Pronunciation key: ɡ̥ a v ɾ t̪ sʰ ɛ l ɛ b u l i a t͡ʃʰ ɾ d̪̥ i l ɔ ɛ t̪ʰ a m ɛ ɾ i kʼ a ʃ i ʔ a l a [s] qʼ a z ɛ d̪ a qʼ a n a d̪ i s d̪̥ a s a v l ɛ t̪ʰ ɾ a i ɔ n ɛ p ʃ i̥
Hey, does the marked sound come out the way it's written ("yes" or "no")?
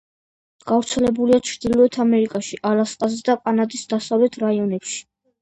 yes